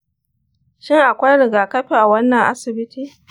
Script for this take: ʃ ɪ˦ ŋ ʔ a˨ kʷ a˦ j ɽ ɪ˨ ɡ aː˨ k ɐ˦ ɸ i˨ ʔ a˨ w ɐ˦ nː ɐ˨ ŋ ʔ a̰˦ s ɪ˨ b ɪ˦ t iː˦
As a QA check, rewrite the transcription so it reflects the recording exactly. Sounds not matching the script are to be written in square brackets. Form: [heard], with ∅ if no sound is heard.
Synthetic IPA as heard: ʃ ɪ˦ ŋ ʔ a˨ kʷ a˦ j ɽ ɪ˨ ɡ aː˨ k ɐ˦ ɸ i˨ ʔ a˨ w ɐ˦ nː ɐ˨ ŋ ʔ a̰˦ s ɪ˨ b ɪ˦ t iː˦